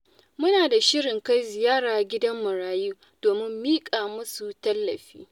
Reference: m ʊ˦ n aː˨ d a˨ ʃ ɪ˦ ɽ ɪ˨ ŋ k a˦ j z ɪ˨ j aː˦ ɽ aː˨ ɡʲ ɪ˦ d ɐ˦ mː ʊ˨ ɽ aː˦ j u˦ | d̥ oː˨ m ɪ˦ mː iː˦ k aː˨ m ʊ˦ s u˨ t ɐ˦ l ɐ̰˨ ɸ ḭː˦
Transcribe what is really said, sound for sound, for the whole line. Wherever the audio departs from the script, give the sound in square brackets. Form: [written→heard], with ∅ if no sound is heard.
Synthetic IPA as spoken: m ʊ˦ n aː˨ d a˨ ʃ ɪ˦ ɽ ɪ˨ ŋ k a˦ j z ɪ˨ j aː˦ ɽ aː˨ ɡʲ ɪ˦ d ɐ˦ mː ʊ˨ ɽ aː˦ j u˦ | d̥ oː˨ m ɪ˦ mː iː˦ [k→kʼ] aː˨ m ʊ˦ s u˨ t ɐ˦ [l→lː] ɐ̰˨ ɸ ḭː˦